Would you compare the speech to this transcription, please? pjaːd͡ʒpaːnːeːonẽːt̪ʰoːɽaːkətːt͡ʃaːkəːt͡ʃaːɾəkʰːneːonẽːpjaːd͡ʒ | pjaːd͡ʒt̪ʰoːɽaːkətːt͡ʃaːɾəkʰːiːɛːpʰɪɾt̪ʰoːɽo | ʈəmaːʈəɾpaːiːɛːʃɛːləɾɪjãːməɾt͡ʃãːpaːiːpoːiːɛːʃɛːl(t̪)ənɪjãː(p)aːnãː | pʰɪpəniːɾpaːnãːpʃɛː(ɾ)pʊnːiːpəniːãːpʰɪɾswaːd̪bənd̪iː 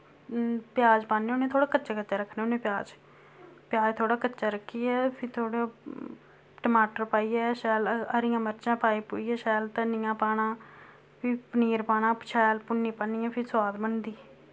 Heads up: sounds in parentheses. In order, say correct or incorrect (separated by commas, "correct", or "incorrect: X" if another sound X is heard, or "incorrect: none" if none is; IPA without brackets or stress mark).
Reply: correct, correct, incorrect: l